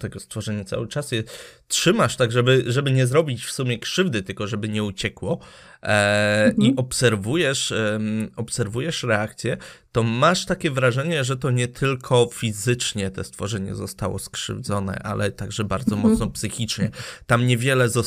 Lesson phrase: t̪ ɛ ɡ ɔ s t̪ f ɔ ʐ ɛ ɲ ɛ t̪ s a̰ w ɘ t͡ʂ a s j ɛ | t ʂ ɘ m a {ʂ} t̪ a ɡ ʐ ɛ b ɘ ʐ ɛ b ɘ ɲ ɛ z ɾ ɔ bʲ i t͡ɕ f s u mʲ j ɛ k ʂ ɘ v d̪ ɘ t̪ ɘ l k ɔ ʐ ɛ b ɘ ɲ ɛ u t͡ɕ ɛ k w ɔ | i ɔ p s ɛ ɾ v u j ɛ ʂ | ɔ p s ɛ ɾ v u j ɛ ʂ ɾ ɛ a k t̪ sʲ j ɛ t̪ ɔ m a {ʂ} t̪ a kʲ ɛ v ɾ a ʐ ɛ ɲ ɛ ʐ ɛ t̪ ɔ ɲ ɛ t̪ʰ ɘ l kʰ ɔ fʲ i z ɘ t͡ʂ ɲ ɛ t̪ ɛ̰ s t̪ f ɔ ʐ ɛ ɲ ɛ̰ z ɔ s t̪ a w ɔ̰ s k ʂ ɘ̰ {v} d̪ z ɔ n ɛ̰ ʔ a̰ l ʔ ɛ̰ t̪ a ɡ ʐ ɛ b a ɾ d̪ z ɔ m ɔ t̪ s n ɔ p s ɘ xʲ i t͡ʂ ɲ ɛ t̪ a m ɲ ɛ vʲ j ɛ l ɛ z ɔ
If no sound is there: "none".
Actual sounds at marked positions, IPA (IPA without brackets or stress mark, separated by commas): ʂ, ʂ, v